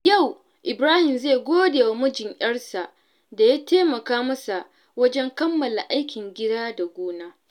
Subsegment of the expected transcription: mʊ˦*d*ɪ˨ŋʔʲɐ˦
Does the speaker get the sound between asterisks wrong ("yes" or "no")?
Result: yes